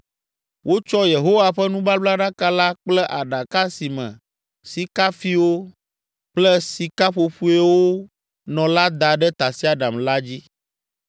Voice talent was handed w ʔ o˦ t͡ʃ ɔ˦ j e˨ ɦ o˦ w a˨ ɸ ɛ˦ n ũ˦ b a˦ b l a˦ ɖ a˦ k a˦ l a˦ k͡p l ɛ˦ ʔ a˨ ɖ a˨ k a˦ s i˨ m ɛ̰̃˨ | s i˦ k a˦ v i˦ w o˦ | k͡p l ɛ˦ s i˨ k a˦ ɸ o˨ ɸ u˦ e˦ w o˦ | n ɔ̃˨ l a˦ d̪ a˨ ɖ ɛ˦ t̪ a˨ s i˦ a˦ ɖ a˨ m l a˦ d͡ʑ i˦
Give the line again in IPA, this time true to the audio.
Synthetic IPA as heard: w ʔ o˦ t͡ʃ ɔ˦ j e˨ ɦ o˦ w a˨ ɸ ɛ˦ n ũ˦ b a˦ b l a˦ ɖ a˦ k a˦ l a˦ k͡p l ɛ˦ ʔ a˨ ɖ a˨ k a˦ s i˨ m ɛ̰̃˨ | s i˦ k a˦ f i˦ w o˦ | k͡p l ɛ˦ s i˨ k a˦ ɸ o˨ ɸ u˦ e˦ w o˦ | n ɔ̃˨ l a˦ d̪ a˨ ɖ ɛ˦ t̪ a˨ s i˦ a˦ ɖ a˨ m l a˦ d͡ʑ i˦